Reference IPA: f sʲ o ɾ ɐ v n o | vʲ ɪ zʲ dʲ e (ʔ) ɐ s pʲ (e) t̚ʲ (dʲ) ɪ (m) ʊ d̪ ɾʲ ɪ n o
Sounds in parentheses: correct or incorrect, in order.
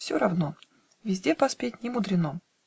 incorrect: p, correct, incorrect: nʲ, correct

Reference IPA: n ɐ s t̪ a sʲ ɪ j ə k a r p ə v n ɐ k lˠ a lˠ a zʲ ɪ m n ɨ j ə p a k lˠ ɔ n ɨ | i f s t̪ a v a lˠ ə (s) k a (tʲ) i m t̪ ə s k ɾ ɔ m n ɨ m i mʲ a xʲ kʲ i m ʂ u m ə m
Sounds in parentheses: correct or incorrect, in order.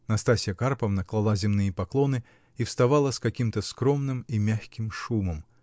correct, incorrect: kʲ

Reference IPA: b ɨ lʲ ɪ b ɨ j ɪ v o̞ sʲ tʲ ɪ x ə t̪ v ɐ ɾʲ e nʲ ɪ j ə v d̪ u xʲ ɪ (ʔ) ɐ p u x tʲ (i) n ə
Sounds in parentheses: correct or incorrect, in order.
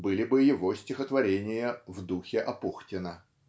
correct, incorrect: ɪ

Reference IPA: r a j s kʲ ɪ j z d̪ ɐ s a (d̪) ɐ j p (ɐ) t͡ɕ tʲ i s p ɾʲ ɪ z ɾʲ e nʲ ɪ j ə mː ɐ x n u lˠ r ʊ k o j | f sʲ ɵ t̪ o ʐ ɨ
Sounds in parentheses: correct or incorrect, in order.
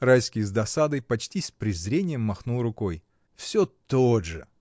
correct, correct

